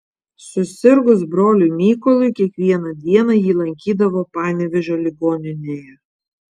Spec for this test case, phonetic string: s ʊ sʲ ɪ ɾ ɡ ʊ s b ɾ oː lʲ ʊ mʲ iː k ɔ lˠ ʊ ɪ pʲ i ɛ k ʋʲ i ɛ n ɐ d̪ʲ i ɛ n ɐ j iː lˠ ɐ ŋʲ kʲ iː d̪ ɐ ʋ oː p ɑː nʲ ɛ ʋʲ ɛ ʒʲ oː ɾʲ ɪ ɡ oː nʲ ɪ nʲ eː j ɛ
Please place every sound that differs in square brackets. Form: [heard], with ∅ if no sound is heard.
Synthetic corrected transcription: s ʊ sʲ ɪ ɾ ɡ ʊ s b ɾ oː lʲ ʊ mʲ iː k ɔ lˠ ʊ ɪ [kʲ] i ɛ k ʋʲ i ɛ n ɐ d̪ʲ i ɛ n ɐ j iː lˠ ɐ ŋʲ kʲ iː d̪ ɐ ʋ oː p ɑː nʲ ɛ ʋʲ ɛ ʒʲ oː [lʲ] ɪ ɡ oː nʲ ɪ nʲ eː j ɛ